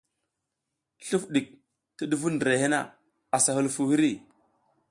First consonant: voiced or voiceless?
voiceless